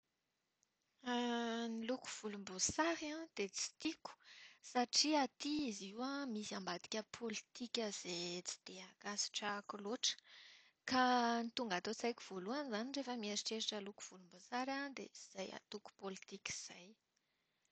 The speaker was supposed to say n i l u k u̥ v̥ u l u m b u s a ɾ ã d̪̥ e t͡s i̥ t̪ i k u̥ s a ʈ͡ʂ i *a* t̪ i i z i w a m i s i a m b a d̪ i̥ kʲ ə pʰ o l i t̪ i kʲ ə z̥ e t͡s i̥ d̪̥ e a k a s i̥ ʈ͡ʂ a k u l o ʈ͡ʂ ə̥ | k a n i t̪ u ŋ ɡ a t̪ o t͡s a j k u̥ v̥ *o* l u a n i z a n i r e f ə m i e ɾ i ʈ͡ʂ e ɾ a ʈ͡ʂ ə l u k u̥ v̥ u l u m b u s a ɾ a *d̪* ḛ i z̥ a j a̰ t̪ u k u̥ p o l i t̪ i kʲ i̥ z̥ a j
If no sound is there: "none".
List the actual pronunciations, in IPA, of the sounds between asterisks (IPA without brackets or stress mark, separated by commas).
a, o, d̪